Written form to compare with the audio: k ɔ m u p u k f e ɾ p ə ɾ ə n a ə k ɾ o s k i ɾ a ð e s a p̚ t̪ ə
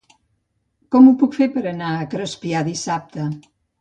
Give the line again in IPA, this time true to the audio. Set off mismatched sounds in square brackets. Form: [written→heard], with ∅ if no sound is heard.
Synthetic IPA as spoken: k ɔ m u p u k f e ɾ p ə ɾ ə n a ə k ɾ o s [k→p] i [ɾ→∅] a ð [e→i] s a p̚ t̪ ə